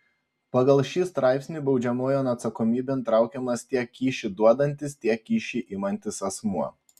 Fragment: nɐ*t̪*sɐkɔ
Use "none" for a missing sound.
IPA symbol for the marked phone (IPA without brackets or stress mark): t̪